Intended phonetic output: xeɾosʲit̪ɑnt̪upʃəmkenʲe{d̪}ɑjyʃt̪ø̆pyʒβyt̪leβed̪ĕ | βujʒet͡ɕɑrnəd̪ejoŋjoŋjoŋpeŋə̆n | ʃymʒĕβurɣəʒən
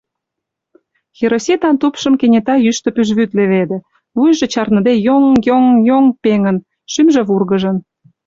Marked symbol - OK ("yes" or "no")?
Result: no